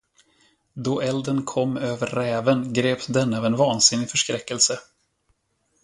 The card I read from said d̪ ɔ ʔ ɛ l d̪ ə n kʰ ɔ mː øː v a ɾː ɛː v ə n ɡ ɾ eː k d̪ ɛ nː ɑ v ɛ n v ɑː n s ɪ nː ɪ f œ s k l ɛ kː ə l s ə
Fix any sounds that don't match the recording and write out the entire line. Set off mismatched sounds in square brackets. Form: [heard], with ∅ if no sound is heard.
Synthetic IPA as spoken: d̪ ɔ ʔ ɛ l d̪ ə n kʰ ɔ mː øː v [ə] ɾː ɛː v ə n ɡ ɾ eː [p] d̪ ɛ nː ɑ v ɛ n v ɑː n s ɪ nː ɪ f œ [ʂ] k [ɾ] ɛ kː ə l s ə